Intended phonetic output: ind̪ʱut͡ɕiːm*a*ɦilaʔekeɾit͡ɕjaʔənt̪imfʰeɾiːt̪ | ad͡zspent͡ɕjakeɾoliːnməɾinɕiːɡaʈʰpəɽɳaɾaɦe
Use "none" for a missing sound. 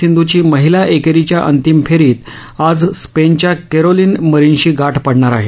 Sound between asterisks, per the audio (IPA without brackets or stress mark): ə